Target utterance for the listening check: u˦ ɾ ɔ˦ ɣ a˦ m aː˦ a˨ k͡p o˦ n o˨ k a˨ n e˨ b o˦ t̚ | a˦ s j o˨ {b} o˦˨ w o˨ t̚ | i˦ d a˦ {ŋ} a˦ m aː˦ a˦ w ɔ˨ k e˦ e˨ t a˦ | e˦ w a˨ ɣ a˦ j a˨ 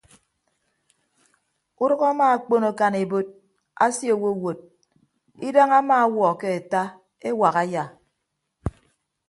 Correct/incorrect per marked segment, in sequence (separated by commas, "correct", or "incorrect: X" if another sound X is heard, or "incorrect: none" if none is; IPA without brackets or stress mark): incorrect: w, correct